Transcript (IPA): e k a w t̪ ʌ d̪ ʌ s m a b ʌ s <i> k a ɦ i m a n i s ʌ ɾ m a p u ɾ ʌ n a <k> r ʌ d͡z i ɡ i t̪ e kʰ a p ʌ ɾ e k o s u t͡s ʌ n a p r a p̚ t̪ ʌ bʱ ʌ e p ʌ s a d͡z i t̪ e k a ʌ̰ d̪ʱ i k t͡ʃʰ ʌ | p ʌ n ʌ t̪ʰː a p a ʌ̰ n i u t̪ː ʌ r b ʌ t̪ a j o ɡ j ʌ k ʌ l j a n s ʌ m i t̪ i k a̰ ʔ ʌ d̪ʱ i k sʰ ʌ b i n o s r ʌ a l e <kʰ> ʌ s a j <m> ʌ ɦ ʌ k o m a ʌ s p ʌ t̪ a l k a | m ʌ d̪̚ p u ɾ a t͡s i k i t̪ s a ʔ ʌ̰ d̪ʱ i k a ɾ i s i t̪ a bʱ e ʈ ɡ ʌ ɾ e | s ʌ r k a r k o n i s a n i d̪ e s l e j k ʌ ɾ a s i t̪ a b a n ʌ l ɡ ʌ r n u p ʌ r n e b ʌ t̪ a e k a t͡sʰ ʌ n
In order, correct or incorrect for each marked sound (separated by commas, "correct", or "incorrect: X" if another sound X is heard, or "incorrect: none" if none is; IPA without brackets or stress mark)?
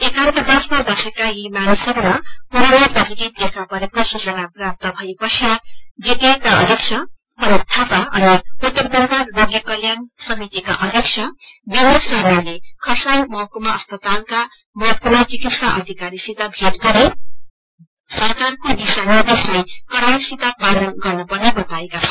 incorrect: e, incorrect: p, correct, correct